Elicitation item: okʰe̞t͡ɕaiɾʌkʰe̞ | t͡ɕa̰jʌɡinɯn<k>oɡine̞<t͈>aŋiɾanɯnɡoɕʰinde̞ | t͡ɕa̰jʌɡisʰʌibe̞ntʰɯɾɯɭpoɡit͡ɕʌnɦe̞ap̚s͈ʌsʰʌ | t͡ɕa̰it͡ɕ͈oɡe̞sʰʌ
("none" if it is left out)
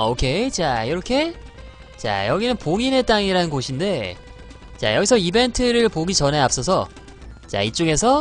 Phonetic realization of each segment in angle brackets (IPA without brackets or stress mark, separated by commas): p, t͈